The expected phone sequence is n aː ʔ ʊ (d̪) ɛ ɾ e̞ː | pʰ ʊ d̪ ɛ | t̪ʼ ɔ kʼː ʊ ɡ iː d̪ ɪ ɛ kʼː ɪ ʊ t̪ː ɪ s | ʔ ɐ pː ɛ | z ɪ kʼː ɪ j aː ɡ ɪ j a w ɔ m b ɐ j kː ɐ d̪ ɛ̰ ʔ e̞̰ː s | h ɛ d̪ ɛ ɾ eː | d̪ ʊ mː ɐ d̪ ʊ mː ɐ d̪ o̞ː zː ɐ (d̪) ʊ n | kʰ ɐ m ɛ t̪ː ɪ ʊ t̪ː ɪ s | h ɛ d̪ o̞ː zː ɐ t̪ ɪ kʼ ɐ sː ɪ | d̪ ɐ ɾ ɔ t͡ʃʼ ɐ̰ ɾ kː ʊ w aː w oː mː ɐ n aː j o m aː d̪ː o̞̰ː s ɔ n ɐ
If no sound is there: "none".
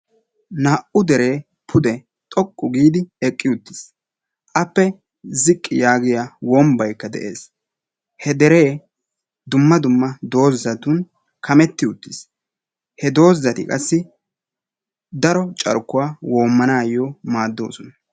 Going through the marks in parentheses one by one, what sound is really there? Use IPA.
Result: d̪, t̪

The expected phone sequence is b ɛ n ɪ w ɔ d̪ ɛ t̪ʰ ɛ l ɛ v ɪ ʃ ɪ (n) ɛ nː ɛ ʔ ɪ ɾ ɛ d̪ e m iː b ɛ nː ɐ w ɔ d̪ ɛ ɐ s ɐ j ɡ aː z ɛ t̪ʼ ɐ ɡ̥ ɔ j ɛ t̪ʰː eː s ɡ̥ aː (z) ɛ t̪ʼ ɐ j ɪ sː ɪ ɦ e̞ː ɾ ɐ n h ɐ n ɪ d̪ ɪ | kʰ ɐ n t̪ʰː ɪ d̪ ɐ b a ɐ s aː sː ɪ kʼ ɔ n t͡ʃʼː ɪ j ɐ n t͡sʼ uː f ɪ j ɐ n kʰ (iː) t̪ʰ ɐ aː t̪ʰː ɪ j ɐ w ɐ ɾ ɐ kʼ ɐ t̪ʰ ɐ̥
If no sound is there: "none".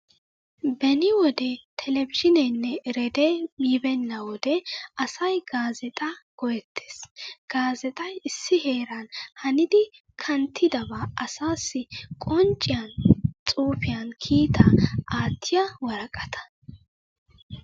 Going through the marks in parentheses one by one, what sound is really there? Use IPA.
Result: n, z, iː

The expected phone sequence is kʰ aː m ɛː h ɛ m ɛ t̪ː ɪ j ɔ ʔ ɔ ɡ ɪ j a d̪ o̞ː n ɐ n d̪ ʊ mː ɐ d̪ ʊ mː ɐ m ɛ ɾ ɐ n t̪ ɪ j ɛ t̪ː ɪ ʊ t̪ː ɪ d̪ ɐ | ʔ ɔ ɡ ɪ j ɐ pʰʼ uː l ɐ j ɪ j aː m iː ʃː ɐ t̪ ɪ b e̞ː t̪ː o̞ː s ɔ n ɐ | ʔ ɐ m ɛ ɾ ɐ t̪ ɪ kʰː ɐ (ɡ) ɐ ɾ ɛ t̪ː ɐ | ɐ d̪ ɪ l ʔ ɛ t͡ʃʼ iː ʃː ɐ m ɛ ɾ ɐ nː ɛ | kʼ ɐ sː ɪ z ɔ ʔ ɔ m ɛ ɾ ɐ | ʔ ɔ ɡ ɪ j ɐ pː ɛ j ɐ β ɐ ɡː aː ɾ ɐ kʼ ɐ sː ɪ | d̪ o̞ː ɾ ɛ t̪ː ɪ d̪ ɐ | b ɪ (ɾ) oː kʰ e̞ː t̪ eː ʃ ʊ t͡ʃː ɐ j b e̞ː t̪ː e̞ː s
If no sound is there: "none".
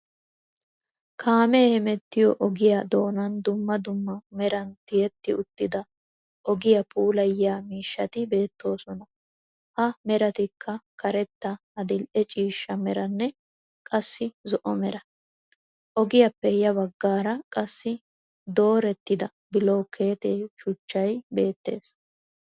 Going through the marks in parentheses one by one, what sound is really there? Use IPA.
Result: k, l

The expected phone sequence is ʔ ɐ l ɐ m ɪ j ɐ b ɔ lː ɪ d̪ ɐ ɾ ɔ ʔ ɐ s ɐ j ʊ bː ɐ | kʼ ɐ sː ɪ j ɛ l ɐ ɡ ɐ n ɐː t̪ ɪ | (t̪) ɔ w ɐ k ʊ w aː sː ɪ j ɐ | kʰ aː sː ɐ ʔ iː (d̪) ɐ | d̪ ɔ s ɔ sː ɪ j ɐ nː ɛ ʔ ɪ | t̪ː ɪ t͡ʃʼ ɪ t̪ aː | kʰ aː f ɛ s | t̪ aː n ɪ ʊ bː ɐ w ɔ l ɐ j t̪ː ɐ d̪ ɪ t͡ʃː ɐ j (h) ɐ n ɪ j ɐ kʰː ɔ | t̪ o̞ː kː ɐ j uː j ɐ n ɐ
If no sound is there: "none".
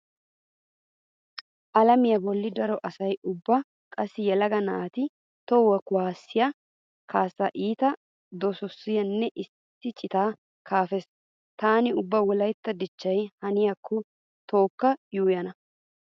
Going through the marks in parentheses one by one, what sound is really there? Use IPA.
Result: t̪, t̪, h

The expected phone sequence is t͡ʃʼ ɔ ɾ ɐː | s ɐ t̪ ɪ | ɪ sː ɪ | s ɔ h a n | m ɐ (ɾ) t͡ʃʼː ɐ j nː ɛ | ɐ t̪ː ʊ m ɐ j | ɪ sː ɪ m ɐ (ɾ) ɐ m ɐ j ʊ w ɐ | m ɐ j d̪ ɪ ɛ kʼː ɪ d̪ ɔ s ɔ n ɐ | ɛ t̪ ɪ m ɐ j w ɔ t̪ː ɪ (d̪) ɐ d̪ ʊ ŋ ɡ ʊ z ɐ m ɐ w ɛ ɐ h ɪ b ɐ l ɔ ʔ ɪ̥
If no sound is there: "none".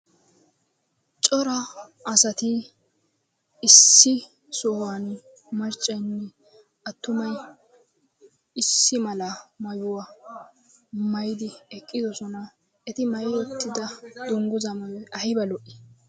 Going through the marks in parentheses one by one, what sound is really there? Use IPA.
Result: ɾ, l, d̪

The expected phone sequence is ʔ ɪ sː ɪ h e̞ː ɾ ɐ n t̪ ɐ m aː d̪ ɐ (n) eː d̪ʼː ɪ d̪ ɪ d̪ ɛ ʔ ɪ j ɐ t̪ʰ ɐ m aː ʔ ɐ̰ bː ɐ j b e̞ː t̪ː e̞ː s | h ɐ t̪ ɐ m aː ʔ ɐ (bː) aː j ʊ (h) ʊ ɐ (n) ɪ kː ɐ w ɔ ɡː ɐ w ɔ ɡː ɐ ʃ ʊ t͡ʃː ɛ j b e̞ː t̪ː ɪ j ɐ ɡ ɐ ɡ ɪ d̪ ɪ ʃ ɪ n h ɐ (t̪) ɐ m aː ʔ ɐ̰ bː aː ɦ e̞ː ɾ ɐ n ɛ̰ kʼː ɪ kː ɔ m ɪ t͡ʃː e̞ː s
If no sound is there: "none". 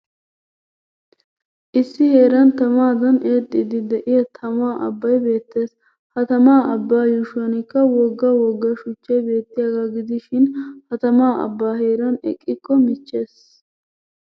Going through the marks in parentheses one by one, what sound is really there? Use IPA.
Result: n, bː, ʃ, n, t̪

